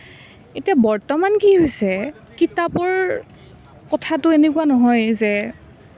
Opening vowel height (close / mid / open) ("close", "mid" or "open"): mid